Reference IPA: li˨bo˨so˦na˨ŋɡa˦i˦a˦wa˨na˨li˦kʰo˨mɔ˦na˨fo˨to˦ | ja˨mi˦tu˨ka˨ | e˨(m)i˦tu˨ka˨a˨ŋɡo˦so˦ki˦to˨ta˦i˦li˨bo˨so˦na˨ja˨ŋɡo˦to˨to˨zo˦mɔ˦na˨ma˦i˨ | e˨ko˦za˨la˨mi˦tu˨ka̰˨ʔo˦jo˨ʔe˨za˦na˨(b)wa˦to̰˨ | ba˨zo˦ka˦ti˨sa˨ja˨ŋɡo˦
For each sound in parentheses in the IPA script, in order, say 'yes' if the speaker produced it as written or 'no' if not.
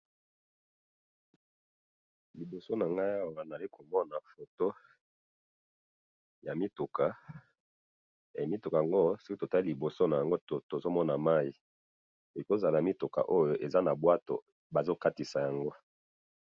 yes, yes

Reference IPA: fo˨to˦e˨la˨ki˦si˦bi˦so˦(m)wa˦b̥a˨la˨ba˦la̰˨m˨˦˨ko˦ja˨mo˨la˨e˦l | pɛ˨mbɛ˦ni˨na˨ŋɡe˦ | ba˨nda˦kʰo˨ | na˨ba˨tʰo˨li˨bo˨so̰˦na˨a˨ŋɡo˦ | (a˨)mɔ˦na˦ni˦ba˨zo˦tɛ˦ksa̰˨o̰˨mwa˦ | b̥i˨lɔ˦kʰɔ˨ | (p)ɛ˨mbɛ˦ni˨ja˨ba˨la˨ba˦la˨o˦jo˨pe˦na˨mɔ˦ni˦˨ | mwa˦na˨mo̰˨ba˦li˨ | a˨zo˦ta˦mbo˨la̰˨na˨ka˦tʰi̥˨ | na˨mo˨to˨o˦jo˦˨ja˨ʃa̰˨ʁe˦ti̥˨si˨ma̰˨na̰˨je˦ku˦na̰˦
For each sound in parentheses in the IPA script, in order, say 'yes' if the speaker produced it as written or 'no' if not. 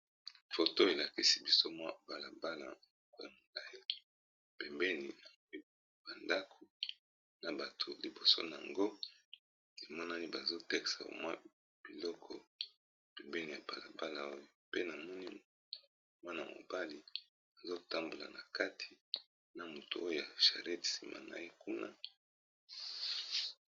yes, no, yes

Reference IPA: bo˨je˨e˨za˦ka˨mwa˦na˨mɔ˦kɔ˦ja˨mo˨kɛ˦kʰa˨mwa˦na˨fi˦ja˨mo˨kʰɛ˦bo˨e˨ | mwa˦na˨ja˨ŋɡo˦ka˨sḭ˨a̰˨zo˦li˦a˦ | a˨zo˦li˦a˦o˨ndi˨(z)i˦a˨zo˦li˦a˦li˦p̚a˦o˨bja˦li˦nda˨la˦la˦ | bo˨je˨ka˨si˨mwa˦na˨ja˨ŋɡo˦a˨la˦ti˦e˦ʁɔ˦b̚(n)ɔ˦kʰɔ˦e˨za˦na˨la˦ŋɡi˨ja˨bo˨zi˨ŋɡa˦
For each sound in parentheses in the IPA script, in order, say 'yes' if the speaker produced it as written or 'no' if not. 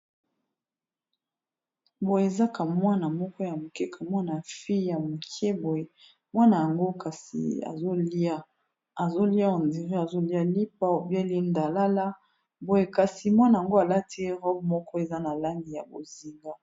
no, no

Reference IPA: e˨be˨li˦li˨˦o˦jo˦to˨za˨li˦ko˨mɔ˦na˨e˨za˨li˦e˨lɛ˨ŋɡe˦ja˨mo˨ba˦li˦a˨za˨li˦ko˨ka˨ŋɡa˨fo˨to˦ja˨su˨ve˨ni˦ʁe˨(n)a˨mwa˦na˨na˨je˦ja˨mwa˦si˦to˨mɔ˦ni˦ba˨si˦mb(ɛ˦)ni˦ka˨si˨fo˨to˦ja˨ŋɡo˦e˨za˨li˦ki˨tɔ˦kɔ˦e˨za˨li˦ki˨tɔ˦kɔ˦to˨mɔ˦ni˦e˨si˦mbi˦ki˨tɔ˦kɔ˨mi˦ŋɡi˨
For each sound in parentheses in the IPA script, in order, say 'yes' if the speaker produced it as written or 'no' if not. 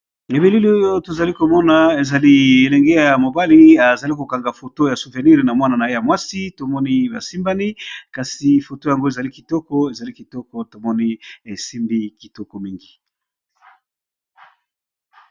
yes, no

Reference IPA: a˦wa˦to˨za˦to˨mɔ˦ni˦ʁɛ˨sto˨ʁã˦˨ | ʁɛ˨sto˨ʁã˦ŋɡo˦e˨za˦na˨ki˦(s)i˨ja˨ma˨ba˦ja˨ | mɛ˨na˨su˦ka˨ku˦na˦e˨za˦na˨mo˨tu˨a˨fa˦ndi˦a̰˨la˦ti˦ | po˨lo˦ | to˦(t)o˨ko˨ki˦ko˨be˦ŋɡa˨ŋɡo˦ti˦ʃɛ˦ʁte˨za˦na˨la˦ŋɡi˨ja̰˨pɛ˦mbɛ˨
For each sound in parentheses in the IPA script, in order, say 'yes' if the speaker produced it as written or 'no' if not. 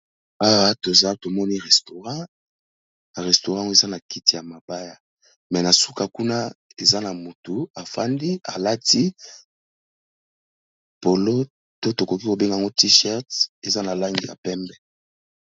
no, yes

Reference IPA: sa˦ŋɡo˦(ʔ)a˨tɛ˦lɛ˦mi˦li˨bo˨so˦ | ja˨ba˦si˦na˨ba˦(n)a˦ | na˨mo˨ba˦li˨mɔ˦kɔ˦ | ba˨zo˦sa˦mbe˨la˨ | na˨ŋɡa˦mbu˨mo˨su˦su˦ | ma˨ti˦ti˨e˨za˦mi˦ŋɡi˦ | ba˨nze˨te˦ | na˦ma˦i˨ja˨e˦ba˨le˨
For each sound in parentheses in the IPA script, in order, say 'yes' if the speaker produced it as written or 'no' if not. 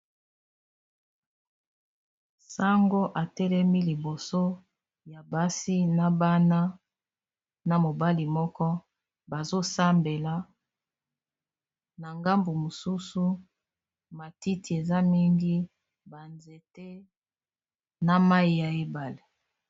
yes, yes

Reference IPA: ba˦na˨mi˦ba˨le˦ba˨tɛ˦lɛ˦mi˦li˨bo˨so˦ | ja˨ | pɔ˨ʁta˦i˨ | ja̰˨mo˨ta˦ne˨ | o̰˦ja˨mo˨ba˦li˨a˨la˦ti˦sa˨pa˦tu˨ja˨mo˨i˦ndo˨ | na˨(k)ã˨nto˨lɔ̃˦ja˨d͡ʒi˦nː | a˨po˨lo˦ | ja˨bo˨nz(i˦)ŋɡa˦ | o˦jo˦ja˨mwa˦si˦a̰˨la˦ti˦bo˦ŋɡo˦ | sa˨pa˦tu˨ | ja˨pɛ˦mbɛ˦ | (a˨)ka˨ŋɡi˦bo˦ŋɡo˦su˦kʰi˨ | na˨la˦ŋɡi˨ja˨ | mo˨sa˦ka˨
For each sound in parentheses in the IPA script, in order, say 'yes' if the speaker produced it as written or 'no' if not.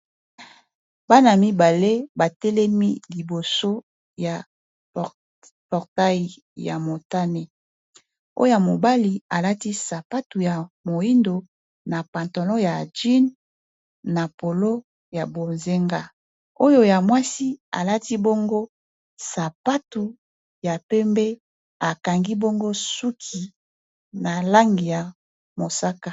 no, no, yes

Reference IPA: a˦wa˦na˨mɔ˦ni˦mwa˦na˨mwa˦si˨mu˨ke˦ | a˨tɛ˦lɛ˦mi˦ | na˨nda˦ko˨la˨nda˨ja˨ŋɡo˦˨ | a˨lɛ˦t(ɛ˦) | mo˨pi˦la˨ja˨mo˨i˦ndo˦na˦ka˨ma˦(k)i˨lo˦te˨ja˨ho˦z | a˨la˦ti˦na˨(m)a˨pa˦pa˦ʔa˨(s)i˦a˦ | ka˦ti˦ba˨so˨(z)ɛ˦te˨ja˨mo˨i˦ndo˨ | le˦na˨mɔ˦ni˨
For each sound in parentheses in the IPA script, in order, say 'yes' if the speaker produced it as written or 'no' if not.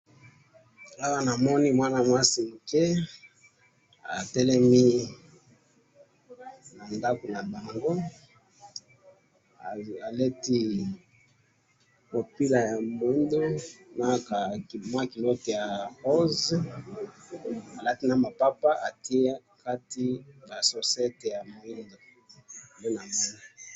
no, yes, yes, no, no

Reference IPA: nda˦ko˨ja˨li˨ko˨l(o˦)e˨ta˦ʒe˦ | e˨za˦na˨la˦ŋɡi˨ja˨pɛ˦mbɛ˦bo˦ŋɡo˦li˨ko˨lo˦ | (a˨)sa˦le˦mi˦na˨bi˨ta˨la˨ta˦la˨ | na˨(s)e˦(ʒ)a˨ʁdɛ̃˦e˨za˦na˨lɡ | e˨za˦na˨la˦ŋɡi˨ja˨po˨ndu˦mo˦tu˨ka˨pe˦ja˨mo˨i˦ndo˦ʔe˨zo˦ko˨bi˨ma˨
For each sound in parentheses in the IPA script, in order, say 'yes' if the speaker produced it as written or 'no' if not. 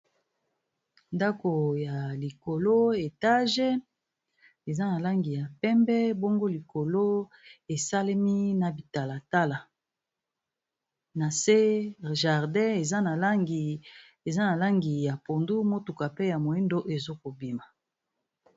yes, no, yes, yes

